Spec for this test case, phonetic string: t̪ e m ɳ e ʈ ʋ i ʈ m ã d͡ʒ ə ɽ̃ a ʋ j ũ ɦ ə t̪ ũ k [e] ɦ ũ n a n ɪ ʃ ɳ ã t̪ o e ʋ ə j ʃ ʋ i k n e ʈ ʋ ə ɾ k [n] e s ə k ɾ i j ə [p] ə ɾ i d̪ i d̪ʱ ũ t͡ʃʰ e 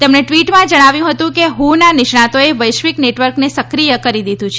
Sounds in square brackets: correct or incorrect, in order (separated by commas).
correct, correct, incorrect